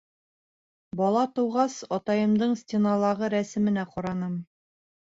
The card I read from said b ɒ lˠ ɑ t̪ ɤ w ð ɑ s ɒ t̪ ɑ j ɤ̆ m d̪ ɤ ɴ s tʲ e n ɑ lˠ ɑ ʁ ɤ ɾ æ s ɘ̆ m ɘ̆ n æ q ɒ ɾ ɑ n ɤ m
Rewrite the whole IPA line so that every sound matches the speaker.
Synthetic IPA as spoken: b ɒ lˠ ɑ t̪ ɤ w ʁ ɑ s ɒ t̪ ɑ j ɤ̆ m d̪ ɤ ɴ s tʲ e n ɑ lˠ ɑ ʁ ɤ ɾ æ s ɘ̆ m ɘ̆ n æ q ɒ ɾ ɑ n ɤ m